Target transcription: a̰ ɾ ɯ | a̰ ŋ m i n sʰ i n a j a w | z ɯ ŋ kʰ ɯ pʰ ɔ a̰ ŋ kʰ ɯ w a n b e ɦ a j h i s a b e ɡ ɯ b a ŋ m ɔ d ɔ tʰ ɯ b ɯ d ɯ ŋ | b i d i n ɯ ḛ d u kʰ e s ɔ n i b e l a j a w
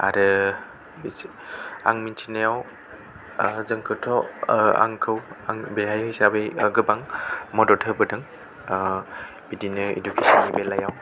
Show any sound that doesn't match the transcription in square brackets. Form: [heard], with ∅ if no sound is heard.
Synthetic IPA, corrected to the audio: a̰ ɾ ɯ | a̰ ŋ m i n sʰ i n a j a w | z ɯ ŋ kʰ ɯ [tʰ] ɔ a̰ ŋ kʰ ɯ w a [ŋ] b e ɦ a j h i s a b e ɡ ɯ b a ŋ m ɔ d ɔ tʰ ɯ b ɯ d ɯ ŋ | b i d i n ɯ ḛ d u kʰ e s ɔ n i b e l a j a w